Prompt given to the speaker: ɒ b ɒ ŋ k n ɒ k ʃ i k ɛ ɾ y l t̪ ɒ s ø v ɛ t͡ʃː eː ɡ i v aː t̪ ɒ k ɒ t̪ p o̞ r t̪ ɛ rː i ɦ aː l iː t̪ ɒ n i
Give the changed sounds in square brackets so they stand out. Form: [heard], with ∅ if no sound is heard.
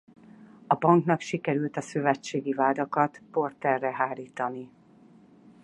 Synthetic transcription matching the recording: ɒ b ɒ ŋ k n ɒ k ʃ i k ɛ ɾ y l t̪ ɒ s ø v ɛ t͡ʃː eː ɡ i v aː [d̪] ɒ k ɒ t̪ p o̞ r t̪ ɛ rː [ɛ] ɦ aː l iː t̪ ɒ n i